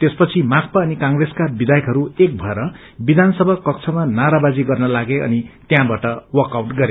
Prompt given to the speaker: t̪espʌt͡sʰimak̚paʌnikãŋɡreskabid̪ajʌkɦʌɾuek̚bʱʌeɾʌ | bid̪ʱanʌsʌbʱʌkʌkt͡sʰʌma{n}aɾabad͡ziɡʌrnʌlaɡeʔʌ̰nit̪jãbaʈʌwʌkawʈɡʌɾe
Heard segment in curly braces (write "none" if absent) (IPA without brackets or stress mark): n